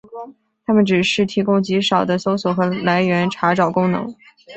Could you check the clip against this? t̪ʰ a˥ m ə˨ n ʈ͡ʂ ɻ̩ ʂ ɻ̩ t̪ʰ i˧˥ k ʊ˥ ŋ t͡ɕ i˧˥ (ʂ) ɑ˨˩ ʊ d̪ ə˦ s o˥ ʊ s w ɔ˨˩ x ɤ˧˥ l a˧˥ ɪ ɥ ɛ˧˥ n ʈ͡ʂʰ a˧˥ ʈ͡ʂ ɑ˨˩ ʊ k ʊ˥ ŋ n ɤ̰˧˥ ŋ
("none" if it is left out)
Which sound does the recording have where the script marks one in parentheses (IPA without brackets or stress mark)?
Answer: ʂ